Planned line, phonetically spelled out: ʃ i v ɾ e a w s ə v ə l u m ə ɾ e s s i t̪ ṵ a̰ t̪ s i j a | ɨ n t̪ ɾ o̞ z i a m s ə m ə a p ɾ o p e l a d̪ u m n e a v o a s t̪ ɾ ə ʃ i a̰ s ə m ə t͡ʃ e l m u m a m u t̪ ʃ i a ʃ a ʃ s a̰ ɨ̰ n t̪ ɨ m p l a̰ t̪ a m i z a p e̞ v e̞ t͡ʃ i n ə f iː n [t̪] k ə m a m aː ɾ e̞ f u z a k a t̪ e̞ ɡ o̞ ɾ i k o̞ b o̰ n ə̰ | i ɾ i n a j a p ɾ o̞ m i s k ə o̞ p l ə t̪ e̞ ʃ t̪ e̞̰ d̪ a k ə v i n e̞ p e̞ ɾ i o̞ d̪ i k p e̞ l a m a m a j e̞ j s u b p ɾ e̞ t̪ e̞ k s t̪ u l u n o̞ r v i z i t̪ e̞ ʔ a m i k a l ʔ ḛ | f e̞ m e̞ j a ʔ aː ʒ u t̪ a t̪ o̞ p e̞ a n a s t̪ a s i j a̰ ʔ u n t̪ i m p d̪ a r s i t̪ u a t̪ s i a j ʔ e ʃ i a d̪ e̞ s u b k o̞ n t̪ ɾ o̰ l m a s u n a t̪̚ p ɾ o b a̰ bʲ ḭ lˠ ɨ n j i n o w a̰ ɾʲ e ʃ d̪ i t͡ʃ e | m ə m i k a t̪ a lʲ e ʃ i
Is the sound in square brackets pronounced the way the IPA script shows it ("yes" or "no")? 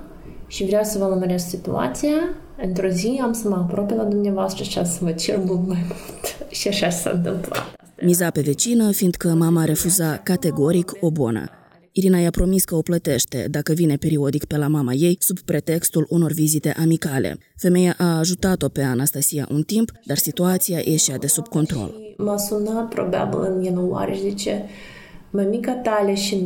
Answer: no